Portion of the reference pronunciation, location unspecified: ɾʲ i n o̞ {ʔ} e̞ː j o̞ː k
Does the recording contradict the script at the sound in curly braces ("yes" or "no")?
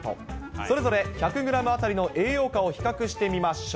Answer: no